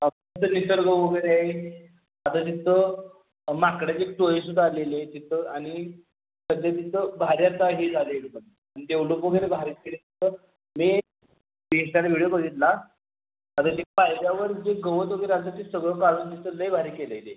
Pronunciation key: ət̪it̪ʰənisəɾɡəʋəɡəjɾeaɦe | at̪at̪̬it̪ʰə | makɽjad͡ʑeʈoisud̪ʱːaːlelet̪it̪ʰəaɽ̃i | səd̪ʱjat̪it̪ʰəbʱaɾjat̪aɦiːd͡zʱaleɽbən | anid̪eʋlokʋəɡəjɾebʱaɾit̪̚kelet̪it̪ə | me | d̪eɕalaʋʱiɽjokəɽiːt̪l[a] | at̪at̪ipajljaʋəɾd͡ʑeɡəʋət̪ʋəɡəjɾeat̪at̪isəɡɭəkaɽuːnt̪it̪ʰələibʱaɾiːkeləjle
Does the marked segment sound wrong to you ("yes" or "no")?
no